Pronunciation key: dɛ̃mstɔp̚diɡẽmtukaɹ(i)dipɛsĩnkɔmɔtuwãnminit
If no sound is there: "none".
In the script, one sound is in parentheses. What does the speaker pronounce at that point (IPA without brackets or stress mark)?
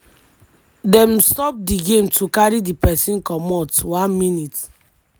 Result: i